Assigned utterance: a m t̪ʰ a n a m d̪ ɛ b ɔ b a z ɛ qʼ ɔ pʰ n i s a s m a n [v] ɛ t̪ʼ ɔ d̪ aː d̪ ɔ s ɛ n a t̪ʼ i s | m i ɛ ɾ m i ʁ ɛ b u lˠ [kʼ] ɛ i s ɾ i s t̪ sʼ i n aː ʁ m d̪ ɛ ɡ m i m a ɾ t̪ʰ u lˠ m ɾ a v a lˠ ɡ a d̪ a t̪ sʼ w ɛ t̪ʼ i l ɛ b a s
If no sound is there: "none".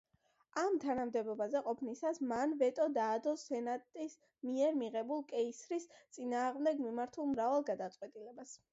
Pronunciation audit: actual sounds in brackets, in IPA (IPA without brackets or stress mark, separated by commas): v, kʼ